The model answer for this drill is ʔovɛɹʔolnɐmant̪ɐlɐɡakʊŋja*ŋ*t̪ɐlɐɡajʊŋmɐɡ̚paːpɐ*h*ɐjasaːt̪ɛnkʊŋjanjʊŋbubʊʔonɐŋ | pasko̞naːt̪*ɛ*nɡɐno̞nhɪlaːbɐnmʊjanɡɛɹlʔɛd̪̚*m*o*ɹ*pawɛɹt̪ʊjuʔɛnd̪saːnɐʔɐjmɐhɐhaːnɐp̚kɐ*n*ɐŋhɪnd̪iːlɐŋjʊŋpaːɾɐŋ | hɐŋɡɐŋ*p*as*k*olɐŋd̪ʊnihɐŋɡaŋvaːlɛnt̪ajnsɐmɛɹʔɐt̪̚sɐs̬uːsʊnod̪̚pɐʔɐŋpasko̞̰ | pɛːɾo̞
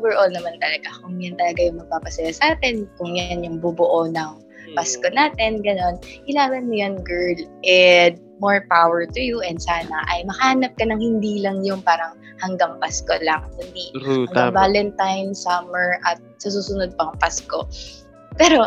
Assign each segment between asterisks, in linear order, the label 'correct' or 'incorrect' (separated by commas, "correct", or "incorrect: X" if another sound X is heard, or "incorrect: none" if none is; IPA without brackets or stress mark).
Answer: incorrect: n, incorrect: s, correct, correct, correct, correct, correct, correct